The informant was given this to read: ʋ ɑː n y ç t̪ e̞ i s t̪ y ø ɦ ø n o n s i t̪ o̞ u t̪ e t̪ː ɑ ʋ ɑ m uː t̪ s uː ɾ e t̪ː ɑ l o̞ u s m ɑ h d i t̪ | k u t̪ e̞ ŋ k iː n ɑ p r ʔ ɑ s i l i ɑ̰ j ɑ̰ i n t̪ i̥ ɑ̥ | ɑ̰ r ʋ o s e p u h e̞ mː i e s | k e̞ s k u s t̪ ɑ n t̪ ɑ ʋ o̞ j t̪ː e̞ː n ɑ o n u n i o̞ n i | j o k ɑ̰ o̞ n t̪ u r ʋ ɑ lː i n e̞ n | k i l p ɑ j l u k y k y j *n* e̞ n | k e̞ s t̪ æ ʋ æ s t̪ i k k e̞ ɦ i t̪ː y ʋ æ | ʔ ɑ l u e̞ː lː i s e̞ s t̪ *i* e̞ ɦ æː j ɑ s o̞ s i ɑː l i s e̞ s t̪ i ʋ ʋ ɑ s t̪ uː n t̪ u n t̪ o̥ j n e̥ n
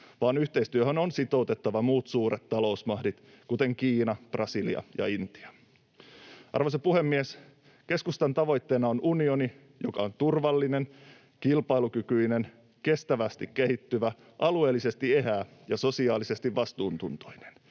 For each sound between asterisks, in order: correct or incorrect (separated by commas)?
correct, correct